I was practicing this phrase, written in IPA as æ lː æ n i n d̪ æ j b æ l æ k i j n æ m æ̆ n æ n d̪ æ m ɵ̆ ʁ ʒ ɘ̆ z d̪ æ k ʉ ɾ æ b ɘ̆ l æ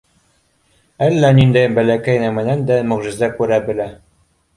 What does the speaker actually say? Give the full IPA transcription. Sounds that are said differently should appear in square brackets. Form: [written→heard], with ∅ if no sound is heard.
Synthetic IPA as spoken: æ lː æ n i n d̪ æ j b æ l æ k [i→æ] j n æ m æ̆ n æ n d̪ æ m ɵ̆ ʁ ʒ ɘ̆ z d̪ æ k ʉ ɾ æ b ɘ̆ l æ